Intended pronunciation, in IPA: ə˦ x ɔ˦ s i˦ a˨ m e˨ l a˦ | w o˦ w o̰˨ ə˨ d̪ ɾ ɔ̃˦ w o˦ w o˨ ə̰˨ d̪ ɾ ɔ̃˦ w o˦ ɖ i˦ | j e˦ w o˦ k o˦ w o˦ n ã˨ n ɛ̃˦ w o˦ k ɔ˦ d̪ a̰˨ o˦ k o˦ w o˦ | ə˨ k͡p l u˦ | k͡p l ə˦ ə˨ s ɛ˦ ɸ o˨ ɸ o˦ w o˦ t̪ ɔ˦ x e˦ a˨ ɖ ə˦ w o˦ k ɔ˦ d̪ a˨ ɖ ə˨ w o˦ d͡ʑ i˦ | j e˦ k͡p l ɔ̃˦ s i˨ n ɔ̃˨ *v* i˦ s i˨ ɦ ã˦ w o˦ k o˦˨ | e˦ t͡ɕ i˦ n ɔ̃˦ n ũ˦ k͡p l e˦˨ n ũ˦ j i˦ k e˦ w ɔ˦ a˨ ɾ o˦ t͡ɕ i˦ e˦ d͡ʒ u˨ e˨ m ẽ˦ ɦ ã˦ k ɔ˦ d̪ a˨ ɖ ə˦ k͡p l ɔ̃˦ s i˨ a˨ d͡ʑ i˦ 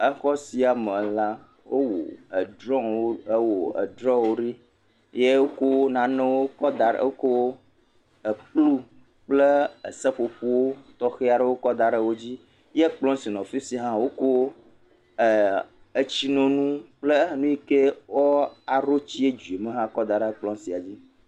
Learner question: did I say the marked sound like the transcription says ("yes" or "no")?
no